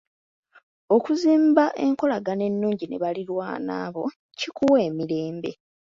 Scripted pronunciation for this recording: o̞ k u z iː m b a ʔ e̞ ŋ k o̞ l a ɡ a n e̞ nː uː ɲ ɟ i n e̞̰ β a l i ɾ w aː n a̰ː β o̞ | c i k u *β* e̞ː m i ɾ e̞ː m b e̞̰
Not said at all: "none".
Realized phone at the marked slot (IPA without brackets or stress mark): w